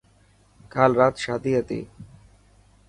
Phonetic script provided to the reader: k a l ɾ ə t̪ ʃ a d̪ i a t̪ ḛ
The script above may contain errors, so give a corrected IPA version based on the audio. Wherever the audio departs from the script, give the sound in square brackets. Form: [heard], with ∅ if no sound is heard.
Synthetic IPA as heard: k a l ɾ [a] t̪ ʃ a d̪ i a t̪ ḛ